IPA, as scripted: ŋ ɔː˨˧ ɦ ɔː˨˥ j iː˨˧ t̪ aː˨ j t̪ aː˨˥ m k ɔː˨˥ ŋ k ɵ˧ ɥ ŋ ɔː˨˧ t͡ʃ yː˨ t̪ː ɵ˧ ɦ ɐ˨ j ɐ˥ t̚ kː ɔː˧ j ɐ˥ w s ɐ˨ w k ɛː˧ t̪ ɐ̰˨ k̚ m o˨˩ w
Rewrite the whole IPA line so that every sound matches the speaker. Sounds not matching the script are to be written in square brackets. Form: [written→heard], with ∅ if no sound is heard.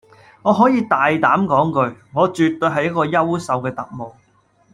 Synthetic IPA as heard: ŋ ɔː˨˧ ɦ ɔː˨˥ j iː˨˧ t̪ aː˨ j t̪ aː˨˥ m k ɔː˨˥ ŋ k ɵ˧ ɥ ŋ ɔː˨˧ t͡ʃ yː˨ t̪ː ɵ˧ ɦ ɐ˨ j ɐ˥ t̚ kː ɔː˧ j ɐ˥ w s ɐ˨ w k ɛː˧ t̪ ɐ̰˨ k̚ m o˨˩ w